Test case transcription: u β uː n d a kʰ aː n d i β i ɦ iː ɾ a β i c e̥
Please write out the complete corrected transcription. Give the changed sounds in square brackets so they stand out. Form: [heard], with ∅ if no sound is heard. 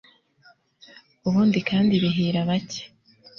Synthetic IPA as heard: u β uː n d [i] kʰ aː n d i β i ɦ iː ɾ a β [a] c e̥